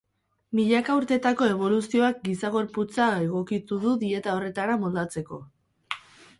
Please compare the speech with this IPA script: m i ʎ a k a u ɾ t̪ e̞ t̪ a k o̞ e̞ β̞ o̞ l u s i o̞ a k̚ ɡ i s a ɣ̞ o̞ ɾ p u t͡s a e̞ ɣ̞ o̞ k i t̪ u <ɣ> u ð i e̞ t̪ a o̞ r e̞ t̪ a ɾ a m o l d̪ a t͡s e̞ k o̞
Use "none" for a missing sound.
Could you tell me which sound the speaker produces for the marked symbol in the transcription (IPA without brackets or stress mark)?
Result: ð